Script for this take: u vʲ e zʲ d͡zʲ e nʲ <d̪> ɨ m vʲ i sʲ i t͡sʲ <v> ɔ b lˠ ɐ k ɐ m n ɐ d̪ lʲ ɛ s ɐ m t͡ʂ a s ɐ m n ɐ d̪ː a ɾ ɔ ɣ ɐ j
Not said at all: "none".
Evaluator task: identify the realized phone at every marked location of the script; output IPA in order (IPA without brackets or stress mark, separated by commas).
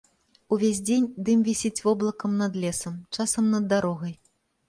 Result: d̪, v